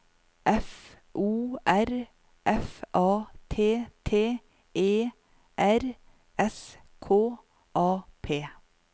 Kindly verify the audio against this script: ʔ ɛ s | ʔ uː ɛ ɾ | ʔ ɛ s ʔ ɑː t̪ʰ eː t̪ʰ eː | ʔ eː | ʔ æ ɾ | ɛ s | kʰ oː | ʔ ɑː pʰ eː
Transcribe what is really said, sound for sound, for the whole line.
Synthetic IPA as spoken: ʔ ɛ f | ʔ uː æ ɾ | ʔ ɛ f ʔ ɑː t̪ʰ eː t̪ʰ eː | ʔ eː | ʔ æ ɾ | ɛ s | kʰ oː | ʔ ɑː pʰ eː

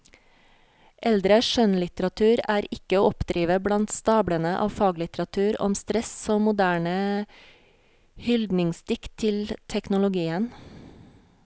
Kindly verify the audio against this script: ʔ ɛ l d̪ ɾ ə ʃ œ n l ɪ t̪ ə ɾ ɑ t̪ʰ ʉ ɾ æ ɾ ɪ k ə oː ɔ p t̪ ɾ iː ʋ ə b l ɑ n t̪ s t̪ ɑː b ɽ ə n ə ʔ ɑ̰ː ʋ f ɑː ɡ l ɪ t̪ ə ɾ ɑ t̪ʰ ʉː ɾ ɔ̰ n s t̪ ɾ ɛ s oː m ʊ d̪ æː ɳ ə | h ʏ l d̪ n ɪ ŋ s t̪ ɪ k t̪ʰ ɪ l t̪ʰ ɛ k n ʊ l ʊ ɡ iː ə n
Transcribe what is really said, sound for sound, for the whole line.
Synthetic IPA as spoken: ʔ ɛ l d̪ ɾ ə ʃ œ n l ɪ t̪ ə ɾ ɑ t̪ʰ ʉː ɾ æː ɾ ɪ k ə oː ɔ p d̪ ɾ iː ʋ ə b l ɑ n t̪ s t̪ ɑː b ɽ ə n ə ʔ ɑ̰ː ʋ f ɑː ɡ l ɪ t̪ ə ɾ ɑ t̪ʰ ʉː ɾ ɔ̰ m s t̪ ɾ ɛ s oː m ʊ d̪ æː ɳ ə | h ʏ l d̪ n ɪ ŋ s t̪ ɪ k t̪ʰ ɪ l t̪ʰ ɛ k n ʊ l ʊ ɡ iː ə n

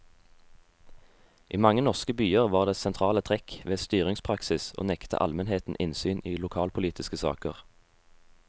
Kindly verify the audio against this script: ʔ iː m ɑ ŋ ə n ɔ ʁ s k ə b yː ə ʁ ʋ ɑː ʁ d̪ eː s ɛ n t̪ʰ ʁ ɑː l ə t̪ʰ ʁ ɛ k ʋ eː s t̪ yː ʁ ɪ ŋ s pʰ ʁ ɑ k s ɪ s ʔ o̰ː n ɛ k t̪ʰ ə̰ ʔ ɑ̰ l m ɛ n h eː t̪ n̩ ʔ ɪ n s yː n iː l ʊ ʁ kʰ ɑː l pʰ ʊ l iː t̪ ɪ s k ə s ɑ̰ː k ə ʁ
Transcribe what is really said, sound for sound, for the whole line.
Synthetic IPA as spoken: ʔ iː m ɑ ŋ ə n ɔ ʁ s k ə b yː ə ʁ ʋ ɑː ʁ d̪ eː s ɛ n t̪ʰ ʁ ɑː l ə t̪ʰ ʁ ɛ k ʋ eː s t̪ yː ʁ ɪ ŋ s pʰ ʁ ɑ k s ɪ s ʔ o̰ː n ɛ k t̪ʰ ə̰ ʔ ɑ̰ l m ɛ n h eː t̪ n̩ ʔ ɪ n s yː n iː l ʊ kʰ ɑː l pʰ ʊ l iː t̪ ɪ s k ə s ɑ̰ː k ə ʁ

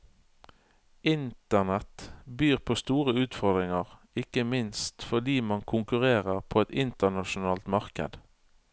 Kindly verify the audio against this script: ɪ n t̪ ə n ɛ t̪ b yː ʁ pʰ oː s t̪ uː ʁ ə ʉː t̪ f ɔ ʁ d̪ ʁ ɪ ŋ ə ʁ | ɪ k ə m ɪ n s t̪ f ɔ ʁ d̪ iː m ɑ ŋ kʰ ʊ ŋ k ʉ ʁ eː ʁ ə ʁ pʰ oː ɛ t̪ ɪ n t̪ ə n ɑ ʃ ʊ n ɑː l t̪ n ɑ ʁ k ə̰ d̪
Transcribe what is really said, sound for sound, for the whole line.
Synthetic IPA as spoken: ɪ n t̪ ə n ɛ t̪ b yː ʁ pʰ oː s t̪ uː ʁ ə ʉː t̪ f ɔ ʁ d̪ ʁ ɪ ŋ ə ʁ | ɪ k ə m ɪ n s t̪ f ɔ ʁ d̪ iː m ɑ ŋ kʰ ʊ ŋ k ʉ ʁ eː ʁ ə ʁ pʰ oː ɛ t̪ ɪ n t̪ ə n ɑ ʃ ʊ n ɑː l t̪ m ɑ ʁ k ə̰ d̪

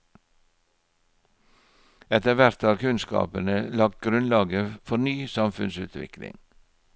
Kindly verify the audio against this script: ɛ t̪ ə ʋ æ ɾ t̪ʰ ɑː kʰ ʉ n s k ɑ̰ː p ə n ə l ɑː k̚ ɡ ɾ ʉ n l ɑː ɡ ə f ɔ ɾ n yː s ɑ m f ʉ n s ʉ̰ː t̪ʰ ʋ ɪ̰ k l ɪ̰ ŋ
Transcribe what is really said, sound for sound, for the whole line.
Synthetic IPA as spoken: ɛ t̪ ə ʋ æ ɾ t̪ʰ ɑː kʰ ʉ n s k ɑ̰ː p ə n ə l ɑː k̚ ɡ ɾ ʉ n l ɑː ɡ ə f ɔ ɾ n yː s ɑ m f ʉ n s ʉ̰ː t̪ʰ ʋ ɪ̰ k l ɪ̰ ŋ

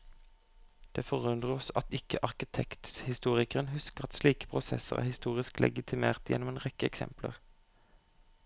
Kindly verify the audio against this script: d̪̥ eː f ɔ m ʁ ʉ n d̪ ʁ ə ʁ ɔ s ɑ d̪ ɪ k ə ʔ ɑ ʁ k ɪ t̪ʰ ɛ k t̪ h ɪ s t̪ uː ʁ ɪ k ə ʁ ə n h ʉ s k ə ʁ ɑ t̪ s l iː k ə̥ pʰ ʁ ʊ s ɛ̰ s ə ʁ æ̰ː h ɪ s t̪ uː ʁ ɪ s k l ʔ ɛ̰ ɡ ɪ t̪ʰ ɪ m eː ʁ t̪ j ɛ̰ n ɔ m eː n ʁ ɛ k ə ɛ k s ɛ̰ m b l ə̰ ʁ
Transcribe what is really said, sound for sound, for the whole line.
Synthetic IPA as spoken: d̪̥ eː f ɔ ʁ ʉ n d̪ ʁ ə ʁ ɔ s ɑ t̪ ɪ k ə ʔ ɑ ʁ k ɪ t̪ʰ ɛ k t̪ h ɪ s t̪ uː ʁ ɪ k ə ʁ ə n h ʉ s k ə ʁ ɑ t̪ s l iː k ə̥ pʰ ʁ ʊ s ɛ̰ s ə ʁ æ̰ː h ɪ s t̪ uː ʁ ɪ s k l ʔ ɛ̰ ɡ ɪ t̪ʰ ɪ m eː ʁ t̪ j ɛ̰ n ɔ m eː n ʁ ɛ k ə ɛ k s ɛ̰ m p l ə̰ ʁ

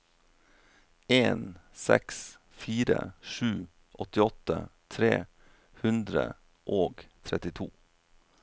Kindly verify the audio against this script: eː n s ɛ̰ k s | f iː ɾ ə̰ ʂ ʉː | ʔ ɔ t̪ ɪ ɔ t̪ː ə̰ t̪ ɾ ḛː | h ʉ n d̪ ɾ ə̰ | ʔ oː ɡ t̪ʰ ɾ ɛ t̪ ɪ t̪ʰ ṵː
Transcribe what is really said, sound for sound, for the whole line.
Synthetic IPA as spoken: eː n s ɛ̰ k s | f iː ɾ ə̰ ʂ ʉː | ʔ ɔ t̪ ɪ ɔ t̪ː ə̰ t̪ʰ ɾ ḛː | h ʉ n d̪ ɾ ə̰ | ʔ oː ɡ t̪ʰ ɾ ɛ t̪ ɪ t̪ʰ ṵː

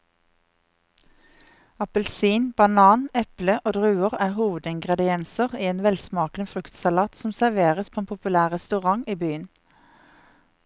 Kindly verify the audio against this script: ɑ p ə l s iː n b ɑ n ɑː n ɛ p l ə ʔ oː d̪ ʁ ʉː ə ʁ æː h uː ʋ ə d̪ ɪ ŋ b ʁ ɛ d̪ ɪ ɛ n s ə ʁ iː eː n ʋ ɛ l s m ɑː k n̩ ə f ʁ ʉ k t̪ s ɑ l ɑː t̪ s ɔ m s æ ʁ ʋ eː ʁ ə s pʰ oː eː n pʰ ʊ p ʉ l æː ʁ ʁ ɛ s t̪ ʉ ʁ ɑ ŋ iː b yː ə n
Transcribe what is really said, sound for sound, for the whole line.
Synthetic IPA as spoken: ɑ p ə l s iː n b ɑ n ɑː n ɛ p l ə ʔ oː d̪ ʁ ʉː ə ʁ æː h uː ʋ ə d̪ ɪ ŋ ɡ ʁ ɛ d̪ ɪ ɛ n s ə ʁ iː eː n ʋ ɛ l s m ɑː k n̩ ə f ʁ ʉ k t̪ s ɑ l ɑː t̪ s ɔ m s æ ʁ ʋ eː ʁ ə s pʰ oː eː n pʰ ʊ p ʉ l æː ʁ ʁ ɛ s t̪ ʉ ʁ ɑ ŋ iː b yː ə n

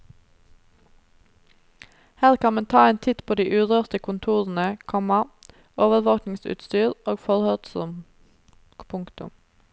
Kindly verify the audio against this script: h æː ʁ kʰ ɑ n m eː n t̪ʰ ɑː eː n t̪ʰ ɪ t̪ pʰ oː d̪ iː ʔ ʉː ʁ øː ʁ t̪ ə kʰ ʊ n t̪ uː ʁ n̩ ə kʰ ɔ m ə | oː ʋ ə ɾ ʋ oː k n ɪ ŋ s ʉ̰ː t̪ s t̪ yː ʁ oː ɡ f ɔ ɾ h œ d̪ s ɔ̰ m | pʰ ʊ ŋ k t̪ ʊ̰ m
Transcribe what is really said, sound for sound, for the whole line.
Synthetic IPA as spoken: h æː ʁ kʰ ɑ n m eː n t̪ʰ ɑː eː n t̪ʰ ɪ t̪ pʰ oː d̪ iː ʔ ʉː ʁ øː ʁ t̪ ə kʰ ʊ n t̪ʰ uː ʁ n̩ ə kʰ ɔ m ɑ | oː ʋ ə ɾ ʋ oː k n ɪ ŋ s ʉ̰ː t̪ s t̪ yː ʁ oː ɡ f ɔ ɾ h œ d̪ s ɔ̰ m | pʰ ʊ ŋ k t̪ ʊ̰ m

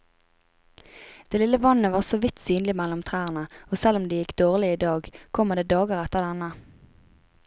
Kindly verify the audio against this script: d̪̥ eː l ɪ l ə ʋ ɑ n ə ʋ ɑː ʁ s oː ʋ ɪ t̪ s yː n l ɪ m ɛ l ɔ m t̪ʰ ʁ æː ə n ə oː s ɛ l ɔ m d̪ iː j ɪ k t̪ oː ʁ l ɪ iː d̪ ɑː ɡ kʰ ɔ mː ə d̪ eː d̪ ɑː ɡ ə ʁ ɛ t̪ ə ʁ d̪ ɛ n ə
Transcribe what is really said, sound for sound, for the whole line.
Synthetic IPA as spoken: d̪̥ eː l ɪ l ə ʋ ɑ n ə ʋ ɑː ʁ s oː ʋ ɪ t̪ s yː n l ɪ m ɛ l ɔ m t̪ʰ ʁ æː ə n ə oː s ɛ l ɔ m d̪ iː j ɪ k d̪ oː ʁ l ɪ iː d̪ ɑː ɡ kʰ ɔ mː ə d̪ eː d̪ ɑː ɡ ə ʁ ɛ t̪ ə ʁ d̪ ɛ n ə

